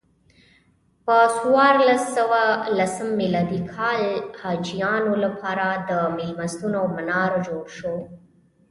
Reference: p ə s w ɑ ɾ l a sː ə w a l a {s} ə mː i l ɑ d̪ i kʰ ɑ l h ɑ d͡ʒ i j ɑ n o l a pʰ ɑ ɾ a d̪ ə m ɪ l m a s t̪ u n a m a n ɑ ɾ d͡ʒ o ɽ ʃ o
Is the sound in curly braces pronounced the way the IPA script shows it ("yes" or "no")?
yes